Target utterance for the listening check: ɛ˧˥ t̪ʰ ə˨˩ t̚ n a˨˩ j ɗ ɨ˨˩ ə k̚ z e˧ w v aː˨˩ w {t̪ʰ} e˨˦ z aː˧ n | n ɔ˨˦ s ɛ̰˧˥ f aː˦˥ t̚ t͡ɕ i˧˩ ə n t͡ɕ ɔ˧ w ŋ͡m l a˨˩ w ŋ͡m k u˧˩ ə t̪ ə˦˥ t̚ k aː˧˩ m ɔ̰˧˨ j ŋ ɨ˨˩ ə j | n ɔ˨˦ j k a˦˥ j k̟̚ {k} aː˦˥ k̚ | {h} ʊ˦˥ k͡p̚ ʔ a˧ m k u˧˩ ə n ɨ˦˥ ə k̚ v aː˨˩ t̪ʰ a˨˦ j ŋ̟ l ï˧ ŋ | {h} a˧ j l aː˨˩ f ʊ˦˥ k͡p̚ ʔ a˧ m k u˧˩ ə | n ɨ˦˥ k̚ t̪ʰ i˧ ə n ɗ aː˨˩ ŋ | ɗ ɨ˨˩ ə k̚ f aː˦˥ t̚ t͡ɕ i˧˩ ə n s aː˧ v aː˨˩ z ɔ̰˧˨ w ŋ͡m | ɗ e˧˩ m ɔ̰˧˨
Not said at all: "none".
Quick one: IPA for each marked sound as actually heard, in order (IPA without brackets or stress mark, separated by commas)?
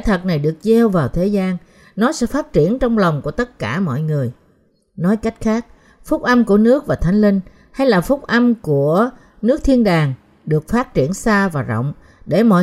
t̪ʰ, x, f, h